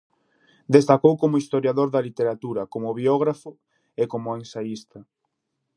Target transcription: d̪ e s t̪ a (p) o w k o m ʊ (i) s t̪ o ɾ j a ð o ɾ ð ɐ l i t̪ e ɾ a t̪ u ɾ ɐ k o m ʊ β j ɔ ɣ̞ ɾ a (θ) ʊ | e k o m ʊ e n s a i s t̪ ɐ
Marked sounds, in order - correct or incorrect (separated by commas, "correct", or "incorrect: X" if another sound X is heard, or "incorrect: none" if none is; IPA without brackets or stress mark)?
incorrect: k, correct, incorrect: f